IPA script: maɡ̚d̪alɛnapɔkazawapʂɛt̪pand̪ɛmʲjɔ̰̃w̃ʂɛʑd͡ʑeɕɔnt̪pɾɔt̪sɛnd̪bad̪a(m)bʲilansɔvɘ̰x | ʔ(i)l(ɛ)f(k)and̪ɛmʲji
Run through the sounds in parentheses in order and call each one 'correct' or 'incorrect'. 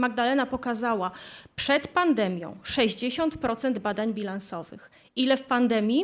incorrect: ɲ, correct, correct, incorrect: p

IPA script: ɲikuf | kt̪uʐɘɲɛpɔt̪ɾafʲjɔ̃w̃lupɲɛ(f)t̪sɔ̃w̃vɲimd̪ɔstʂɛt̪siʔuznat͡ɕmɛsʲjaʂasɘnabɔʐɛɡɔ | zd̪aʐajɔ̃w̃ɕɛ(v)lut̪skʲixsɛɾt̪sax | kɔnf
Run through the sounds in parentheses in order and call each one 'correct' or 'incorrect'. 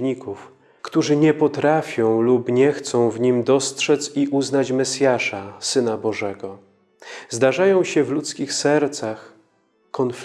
incorrect: x, correct

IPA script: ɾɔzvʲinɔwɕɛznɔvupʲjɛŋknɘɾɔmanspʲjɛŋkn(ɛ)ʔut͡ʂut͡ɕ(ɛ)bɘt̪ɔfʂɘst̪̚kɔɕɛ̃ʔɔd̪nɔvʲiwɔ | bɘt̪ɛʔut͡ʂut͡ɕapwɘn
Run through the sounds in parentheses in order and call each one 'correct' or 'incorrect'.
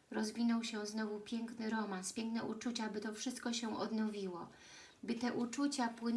correct, incorrect: a

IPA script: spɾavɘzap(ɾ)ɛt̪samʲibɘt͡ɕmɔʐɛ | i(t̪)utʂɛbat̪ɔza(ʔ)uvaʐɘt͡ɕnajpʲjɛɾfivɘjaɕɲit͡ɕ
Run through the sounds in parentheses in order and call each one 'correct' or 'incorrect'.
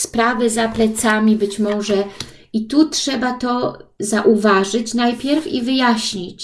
incorrect: l, correct, correct

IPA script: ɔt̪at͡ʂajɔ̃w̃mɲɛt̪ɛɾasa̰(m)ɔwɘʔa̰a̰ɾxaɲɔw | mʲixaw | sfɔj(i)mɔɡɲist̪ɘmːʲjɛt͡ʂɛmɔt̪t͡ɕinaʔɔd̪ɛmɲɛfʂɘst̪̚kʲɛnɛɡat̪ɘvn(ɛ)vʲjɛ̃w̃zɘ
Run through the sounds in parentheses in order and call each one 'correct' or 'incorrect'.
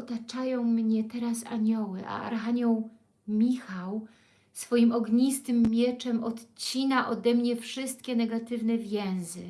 incorrect: ɲ, correct, correct

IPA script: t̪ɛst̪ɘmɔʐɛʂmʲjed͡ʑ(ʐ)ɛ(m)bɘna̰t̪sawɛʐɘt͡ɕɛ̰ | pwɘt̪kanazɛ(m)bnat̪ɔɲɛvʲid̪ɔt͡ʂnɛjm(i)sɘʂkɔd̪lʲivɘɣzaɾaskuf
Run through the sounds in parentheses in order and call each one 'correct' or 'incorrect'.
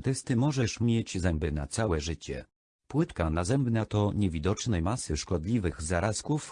incorrect: z, correct, correct, incorrect: a

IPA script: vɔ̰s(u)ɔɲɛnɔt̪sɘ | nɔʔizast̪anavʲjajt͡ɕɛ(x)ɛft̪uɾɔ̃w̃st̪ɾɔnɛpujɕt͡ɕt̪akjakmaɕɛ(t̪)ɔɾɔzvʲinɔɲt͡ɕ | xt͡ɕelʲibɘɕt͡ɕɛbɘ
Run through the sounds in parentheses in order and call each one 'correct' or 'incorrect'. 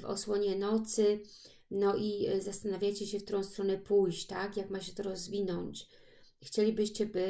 incorrect: w, incorrect: ɕ, correct

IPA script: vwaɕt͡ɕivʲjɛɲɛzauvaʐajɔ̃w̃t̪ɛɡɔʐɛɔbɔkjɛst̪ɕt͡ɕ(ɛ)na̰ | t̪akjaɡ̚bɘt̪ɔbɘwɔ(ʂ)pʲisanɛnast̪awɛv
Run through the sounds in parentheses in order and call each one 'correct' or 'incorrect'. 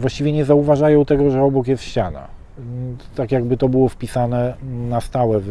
incorrect: a, incorrect: f

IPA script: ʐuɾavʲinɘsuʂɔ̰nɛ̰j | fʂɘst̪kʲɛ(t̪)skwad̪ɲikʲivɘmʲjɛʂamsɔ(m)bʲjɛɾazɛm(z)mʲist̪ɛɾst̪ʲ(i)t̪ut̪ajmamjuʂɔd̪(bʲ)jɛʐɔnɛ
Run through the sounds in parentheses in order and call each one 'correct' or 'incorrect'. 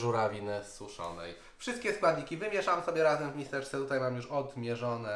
incorrect: none, incorrect: none, incorrect: v, incorrect: ɛ, incorrect: mʲ

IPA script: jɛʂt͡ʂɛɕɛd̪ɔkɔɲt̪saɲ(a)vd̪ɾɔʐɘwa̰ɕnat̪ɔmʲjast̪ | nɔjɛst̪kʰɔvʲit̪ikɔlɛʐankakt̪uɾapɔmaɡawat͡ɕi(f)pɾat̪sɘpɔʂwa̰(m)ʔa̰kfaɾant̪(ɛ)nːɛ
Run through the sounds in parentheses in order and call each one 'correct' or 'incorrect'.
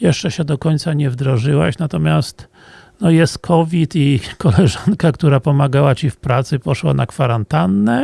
incorrect: ɛ, correct, incorrect: n, incorrect: a

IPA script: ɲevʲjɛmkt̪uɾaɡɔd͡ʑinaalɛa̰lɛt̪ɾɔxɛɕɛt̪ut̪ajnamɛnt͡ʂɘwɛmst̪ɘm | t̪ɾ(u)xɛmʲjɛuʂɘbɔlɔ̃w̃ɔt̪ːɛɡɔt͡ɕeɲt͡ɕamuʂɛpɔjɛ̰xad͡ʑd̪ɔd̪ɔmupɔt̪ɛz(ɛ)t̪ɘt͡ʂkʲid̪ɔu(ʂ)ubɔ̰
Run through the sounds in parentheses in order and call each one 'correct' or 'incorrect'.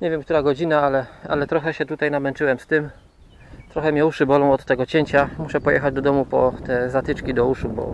incorrect: ɔ, incorrect: a, correct

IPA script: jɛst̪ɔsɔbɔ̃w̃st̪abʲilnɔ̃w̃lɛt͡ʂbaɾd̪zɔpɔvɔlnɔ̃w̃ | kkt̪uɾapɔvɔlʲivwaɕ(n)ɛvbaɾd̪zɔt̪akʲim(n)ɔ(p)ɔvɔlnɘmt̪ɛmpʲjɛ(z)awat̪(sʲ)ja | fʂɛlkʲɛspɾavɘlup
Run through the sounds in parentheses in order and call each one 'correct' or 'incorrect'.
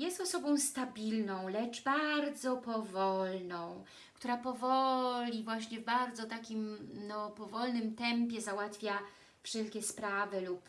incorrect: ɲ, correct, correct, correct, incorrect: fʲ

